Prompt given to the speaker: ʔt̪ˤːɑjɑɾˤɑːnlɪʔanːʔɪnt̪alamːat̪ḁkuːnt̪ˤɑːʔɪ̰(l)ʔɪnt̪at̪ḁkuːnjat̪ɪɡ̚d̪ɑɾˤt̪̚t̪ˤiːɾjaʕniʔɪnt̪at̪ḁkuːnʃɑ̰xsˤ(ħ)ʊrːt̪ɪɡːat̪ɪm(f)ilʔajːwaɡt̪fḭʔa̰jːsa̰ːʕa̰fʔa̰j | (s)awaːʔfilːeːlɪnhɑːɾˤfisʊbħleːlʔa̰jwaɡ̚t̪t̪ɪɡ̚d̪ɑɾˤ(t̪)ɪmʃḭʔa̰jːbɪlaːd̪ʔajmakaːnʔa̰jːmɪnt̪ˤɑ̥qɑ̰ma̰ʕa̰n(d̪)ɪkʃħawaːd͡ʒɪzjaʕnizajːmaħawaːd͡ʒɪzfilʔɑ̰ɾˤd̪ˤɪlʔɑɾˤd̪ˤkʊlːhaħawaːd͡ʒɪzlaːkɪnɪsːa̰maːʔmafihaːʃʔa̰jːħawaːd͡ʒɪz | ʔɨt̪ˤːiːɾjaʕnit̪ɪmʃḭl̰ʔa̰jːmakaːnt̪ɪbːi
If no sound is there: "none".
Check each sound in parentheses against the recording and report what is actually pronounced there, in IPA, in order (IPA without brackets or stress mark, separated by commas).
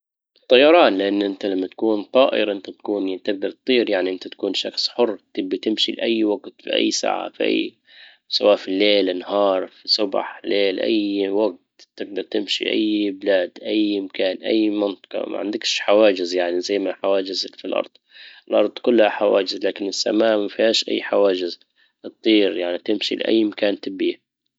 ɾ, ħ, ʃ, s, t̪, d̪